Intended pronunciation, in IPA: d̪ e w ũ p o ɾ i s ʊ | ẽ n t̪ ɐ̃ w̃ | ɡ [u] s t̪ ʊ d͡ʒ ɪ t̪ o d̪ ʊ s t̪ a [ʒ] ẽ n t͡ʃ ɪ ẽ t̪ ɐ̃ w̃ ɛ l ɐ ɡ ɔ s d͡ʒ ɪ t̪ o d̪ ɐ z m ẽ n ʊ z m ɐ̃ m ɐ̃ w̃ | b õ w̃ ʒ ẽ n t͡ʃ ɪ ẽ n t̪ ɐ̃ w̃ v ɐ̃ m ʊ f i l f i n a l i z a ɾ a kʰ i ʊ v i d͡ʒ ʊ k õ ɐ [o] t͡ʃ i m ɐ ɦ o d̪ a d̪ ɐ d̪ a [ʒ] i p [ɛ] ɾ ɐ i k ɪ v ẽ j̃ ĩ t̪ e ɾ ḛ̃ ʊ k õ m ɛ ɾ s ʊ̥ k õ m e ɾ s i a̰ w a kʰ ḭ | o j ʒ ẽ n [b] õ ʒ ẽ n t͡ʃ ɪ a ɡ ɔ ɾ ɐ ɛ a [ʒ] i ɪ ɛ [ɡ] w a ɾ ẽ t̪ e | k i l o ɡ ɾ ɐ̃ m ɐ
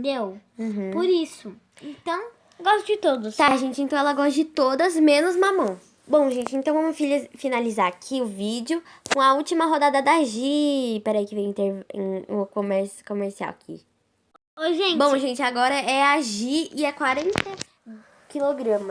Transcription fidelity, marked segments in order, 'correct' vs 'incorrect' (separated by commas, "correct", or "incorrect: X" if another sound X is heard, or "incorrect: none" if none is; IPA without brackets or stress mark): incorrect: ɔ, correct, incorrect: u, correct, correct, correct, correct, incorrect: k